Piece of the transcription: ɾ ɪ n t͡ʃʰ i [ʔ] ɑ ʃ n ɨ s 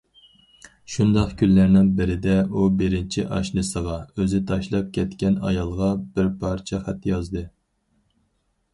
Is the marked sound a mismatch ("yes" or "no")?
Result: no